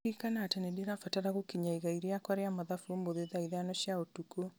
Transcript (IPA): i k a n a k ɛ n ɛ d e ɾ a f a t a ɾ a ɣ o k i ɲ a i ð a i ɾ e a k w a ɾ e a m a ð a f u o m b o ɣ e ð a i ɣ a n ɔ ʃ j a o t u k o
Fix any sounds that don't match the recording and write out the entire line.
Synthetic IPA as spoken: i k a n a t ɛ n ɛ d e ɾ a f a t a ɾ a ɣ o k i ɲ a i ɣ a i ɾ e a k w a ɾ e a m a ð a f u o m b o ð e ð a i ð a n ɔ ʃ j a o t u k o